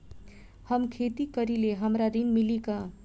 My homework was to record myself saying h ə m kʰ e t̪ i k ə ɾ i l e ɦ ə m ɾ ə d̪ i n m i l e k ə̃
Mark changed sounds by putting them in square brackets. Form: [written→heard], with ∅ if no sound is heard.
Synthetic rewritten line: h ə m kʰ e t̪ i k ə ɾ i l e ɦ ə m ɾ [ə→a] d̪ i n m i l [e→i] k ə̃